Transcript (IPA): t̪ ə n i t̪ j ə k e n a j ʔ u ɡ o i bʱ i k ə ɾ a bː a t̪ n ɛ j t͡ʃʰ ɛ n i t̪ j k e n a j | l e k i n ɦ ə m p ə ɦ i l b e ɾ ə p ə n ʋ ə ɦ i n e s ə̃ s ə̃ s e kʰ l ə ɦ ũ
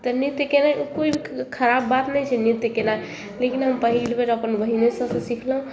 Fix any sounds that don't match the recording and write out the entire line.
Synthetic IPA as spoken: t̪ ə n i t̪ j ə k e n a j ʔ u k o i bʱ i kʰ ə ɾ a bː a t̪ n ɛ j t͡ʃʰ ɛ n i t̪ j k e n a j | l e k i n ɦ ə m p ə ɦ i l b e ɾ ə p ə n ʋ ə ɦ i n e s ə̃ s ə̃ s i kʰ l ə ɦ ũ

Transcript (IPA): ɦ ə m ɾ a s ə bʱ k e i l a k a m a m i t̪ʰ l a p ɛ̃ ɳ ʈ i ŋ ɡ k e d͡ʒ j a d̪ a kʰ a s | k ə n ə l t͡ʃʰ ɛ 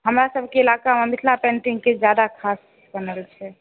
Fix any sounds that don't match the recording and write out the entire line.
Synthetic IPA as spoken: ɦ ə m ɾ a s ə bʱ k e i l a k a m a m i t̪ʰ l a p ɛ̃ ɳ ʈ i ŋ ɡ k e d͡ʒ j a d̪ a kʰ a s | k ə n ə l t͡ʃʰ ɛ

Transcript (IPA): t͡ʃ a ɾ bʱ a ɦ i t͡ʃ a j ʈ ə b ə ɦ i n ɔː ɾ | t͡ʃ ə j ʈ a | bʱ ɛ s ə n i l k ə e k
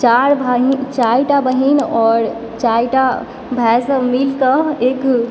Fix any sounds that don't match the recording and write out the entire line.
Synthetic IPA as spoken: t͡ʃ a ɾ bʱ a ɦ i t͡ʃ a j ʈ a b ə ɦ i n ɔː ɾ | t͡ʃ a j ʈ a | bʱ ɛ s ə m i l k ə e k

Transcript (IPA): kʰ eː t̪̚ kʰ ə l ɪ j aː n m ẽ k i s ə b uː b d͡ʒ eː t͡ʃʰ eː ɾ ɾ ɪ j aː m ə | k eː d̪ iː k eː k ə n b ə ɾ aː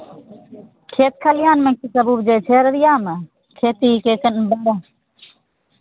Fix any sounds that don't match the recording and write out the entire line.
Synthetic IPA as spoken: kʰ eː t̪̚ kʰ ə l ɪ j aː n m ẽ k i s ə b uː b d͡ʒ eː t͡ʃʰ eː ɾ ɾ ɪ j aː m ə | kʰ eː t̪ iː k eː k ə n b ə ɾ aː

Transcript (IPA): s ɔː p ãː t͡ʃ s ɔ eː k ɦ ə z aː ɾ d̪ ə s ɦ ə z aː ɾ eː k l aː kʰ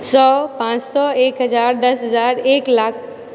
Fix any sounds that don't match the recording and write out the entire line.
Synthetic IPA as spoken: s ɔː p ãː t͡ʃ s ɔ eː k ɦ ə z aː ɾ d̪ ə s ɦ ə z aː ɾ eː k l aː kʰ

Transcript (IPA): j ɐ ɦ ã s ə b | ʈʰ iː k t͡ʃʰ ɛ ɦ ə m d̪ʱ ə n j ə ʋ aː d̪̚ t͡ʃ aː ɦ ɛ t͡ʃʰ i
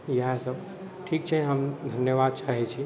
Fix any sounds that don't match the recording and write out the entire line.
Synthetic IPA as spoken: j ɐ ɦ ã s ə b | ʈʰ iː k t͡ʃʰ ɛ ɦ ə m d̪ʱ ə n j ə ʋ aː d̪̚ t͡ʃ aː ɦ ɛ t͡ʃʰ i

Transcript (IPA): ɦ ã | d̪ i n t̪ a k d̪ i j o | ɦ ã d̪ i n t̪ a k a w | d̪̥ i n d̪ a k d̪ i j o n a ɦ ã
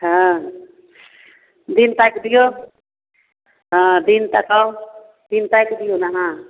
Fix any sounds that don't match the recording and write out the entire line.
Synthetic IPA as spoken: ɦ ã | d̪ i n t̪ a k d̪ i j o | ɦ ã d̪ i n t̪ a k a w | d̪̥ i n t̪ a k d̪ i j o n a ɦ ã

